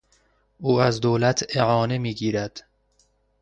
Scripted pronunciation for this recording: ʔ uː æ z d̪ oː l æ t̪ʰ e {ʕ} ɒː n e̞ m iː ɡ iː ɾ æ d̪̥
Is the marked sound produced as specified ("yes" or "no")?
yes